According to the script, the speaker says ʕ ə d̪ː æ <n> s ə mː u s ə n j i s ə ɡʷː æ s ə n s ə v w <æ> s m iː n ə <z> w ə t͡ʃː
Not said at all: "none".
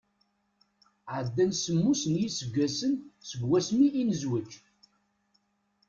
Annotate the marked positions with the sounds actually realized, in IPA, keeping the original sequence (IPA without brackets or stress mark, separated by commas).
n, æ, z